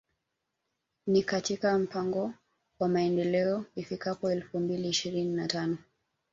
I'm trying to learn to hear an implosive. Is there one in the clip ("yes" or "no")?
no